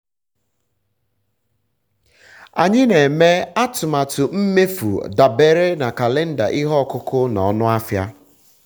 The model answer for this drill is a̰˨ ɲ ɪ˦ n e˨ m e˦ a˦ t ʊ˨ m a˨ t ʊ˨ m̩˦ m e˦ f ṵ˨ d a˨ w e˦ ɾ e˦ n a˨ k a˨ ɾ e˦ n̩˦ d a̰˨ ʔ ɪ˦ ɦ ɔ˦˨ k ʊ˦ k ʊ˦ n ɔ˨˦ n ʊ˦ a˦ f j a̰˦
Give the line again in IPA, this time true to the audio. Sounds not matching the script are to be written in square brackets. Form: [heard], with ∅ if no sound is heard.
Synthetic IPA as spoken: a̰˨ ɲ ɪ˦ n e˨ m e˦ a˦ t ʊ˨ m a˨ t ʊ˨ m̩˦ m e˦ f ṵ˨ d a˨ [b] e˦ ɾ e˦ n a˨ k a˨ [l] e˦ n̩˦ d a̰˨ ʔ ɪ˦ ɦ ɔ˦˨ k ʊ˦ k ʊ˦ n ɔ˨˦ n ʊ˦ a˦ f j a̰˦